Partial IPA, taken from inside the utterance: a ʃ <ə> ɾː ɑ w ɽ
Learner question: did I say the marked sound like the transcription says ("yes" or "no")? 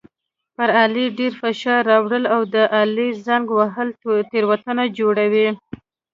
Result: no